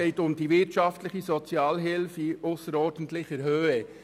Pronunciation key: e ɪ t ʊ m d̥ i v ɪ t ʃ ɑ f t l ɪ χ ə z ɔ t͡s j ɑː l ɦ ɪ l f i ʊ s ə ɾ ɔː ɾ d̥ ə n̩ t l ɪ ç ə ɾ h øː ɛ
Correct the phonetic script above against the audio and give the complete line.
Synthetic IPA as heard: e ɪ t ʊ m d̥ i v ɪ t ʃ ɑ f t l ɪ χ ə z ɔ t͡s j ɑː l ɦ ɪ l f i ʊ s ə ɾ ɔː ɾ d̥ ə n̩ t l ɪ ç ə ɾ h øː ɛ